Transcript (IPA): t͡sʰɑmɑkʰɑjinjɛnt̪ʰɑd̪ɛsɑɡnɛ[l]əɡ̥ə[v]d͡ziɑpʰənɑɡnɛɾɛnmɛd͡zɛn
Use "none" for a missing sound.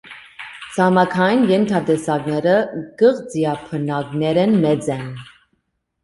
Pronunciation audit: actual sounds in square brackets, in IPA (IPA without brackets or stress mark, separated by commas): ɾ, ʁ